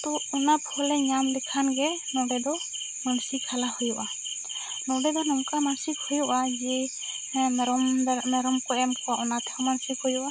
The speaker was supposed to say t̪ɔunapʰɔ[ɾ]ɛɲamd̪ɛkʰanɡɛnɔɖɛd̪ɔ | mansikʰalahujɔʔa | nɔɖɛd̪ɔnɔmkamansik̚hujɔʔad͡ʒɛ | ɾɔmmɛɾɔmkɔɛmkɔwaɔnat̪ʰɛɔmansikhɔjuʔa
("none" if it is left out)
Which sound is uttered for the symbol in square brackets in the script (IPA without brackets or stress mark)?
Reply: l